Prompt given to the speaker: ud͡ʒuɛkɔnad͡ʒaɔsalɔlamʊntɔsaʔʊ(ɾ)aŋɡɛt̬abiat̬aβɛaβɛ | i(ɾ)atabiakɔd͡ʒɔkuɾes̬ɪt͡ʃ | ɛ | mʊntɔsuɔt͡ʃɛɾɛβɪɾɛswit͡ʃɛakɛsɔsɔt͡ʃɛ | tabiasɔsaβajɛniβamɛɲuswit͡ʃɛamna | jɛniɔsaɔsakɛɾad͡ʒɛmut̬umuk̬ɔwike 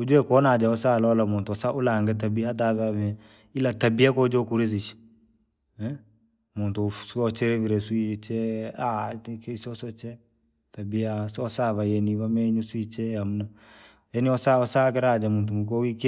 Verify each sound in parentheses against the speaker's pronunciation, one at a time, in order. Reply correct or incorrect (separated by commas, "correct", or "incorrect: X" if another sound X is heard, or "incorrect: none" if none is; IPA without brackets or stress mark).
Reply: incorrect: l, incorrect: l